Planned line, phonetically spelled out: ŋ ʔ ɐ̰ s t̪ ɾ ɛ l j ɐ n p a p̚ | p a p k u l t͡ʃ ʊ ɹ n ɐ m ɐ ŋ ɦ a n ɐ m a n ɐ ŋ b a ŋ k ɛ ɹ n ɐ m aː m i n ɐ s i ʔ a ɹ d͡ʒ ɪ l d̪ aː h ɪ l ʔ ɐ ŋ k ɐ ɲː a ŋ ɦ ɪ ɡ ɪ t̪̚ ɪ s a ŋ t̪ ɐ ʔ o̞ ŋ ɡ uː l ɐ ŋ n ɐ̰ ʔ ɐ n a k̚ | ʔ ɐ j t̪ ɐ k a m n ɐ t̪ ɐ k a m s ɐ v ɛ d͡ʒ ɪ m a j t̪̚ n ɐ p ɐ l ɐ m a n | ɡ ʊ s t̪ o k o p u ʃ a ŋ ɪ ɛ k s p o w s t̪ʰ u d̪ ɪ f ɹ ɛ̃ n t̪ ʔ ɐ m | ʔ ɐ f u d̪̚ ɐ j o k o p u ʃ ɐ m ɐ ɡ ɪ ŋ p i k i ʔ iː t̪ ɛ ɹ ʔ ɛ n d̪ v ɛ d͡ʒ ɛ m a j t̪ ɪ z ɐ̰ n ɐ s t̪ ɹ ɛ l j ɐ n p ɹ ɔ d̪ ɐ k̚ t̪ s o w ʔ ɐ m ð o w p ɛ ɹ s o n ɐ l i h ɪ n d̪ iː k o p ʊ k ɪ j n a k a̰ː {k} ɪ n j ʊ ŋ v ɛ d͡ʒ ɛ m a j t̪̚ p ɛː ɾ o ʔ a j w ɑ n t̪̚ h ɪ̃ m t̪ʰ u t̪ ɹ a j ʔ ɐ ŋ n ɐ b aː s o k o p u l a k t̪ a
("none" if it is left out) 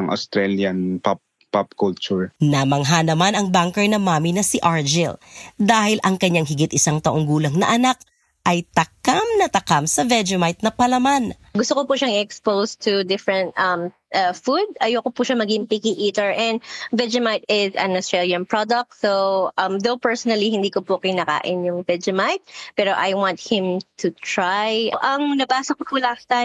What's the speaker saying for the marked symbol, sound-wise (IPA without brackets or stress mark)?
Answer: ʔ